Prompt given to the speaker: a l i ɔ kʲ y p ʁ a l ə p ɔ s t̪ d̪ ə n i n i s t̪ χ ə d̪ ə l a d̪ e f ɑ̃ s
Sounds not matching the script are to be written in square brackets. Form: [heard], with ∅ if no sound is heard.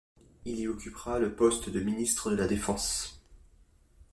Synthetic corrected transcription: [i] l i ɔ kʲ y p ʁ a l ə p ɔ s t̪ d̪ ə [m] i n i s t̪ χ ə d̪ ə l a d̪ e f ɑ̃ s